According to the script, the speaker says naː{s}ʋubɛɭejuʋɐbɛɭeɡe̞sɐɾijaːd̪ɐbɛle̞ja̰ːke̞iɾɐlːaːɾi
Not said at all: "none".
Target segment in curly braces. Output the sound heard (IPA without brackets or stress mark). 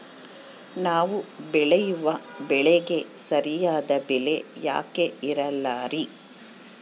none